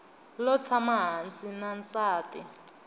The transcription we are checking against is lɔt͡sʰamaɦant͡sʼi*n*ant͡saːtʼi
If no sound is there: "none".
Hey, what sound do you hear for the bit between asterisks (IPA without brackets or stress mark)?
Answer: n